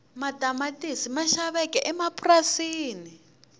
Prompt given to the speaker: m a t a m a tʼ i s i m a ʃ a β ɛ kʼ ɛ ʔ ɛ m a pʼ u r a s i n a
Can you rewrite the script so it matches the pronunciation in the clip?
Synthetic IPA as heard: m a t a m a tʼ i s i m a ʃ a β ɛ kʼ ɛ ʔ ɛ m a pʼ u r a s iː n i